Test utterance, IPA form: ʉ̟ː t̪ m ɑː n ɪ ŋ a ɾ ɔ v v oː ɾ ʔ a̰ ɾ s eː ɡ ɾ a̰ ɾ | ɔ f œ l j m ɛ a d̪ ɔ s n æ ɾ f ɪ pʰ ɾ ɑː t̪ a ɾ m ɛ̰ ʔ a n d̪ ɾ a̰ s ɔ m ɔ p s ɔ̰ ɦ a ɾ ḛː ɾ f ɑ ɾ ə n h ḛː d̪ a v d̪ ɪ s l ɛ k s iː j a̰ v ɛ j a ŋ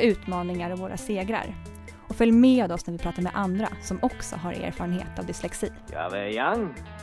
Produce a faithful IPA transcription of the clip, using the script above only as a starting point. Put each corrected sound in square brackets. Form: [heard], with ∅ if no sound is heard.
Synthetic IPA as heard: ʉ̟ː t̪ m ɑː n ɪ ŋ a ɾ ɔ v v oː ɾ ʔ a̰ [∅] s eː ɡ ɾ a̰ ɾ | ɔ f œ l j m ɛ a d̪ ɔ s n æ ɾ [v] ɪ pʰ ɾ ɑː t̪ a ɾ m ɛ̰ ʔ a n d̪ ɾ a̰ s ɔ m ɔ [k] s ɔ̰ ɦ a ɾ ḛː ɾ f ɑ ɾ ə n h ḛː [t̪] a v d̪ ɪ s l ɛ k s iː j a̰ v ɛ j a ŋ